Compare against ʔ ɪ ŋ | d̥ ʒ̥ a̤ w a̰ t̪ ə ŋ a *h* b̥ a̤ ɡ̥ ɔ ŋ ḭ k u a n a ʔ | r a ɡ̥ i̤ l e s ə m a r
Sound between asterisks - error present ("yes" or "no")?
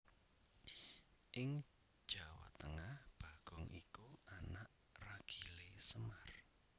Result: no